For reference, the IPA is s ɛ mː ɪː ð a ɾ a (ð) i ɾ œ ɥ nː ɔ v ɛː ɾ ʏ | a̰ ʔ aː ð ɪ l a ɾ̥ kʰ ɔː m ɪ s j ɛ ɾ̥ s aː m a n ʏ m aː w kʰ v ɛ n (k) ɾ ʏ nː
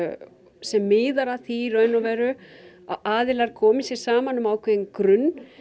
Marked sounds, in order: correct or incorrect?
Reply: incorrect, correct

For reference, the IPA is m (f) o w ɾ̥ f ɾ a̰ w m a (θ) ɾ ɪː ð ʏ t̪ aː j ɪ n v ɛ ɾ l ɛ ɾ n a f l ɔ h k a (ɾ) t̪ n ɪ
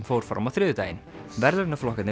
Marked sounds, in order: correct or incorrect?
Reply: correct, correct, incorrect

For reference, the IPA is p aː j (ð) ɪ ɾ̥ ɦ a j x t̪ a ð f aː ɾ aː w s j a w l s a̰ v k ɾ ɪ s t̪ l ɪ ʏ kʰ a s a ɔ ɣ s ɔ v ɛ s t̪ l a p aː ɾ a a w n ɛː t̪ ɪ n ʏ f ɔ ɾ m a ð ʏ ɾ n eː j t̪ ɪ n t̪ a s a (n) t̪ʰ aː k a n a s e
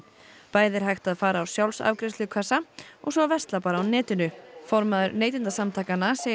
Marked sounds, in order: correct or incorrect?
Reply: correct, incorrect

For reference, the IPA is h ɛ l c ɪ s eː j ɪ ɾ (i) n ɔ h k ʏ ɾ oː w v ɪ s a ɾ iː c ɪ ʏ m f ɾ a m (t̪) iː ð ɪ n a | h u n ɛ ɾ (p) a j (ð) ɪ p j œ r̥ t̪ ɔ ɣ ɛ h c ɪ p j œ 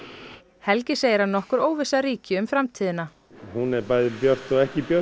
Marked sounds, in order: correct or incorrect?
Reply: incorrect, incorrect, correct, correct

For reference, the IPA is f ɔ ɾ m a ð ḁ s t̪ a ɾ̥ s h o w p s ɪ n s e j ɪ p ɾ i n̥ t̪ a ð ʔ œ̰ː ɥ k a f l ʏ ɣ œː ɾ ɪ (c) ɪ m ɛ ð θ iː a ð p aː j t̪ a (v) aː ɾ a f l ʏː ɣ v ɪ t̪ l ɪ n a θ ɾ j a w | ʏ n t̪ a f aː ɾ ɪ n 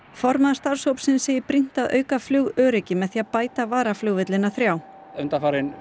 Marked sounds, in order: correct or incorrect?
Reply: correct, correct

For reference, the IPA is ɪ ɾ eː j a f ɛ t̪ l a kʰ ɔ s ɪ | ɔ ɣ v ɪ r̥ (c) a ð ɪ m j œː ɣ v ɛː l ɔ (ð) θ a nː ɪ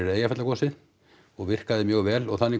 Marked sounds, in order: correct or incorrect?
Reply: incorrect, incorrect

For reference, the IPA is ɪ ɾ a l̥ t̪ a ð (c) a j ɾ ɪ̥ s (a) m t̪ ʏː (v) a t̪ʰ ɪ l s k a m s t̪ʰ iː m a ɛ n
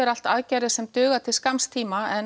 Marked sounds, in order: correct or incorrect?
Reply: correct, incorrect, incorrect

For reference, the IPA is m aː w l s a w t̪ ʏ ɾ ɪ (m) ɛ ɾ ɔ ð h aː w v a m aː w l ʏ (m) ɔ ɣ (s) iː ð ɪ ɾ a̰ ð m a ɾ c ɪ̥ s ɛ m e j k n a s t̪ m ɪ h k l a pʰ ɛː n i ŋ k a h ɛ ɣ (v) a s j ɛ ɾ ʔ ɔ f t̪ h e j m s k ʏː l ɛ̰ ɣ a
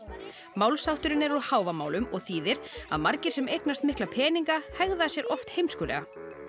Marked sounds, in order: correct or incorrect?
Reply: incorrect, correct, incorrect, incorrect

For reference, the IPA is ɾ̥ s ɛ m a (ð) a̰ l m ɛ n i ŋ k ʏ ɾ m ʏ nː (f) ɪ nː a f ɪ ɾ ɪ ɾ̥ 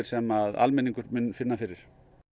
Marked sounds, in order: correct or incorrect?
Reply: correct, correct

